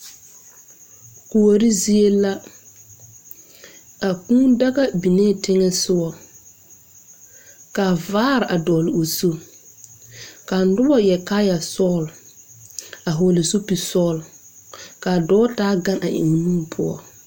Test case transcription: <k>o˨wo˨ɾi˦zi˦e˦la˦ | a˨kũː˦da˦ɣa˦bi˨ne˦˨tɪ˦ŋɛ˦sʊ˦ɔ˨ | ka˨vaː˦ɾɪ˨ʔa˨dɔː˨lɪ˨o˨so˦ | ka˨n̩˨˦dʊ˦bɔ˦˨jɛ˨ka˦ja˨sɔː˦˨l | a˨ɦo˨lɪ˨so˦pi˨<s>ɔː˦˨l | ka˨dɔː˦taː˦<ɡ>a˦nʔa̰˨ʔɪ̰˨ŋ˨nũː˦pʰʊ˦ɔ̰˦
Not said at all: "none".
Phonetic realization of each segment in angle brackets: k, s, ɡ

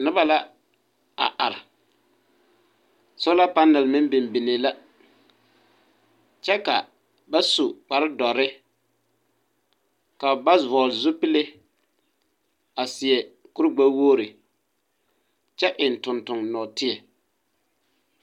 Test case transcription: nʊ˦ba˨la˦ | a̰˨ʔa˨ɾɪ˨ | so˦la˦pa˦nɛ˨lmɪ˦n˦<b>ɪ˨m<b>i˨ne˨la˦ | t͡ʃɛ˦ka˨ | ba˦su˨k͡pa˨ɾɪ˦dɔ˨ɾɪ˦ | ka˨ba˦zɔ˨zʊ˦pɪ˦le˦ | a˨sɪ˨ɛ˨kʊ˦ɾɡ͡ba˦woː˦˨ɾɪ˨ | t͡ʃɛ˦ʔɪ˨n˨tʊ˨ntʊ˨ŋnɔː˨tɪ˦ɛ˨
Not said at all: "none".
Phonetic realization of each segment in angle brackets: b, b

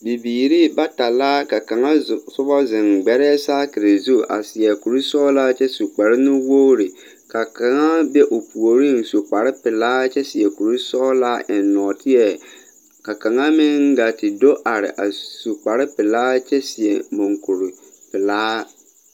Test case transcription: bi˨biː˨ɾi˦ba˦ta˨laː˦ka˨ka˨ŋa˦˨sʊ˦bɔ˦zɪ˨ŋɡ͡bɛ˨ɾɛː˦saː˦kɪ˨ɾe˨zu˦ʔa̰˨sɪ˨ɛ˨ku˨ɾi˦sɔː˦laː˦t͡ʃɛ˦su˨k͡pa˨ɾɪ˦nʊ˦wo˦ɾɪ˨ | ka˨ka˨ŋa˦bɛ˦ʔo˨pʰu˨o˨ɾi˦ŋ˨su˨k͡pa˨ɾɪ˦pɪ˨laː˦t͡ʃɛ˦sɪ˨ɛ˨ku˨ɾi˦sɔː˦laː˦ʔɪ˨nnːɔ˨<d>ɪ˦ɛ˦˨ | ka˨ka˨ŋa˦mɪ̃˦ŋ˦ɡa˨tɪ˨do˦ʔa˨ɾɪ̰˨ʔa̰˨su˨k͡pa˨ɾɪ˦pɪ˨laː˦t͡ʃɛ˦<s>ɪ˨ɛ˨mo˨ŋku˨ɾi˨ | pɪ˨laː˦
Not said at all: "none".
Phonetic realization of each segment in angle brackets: t, s

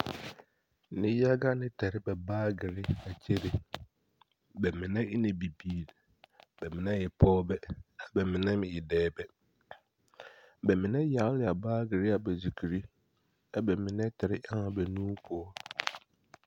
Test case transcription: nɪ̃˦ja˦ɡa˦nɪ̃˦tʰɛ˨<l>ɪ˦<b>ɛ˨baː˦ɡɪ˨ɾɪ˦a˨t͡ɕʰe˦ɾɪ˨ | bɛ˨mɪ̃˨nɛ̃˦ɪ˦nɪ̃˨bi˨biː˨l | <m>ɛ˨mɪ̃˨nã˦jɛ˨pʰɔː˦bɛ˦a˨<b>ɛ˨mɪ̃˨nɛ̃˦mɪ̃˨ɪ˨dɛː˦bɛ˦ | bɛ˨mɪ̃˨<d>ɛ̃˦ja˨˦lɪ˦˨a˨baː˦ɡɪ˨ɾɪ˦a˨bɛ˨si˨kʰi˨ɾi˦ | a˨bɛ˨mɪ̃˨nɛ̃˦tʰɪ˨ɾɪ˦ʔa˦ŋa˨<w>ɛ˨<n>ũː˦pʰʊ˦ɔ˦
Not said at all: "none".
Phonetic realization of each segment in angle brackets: ɾ, b, b, b, n, b, n

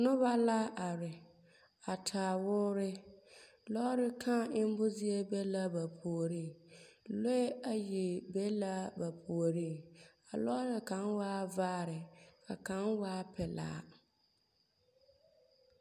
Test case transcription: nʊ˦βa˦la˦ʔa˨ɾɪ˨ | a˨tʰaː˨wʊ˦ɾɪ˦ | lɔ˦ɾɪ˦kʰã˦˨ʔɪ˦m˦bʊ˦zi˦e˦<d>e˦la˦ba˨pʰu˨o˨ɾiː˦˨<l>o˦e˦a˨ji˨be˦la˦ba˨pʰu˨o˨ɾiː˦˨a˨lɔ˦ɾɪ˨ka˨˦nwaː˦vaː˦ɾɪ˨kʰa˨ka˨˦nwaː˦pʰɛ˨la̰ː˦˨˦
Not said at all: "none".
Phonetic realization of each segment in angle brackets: b, l

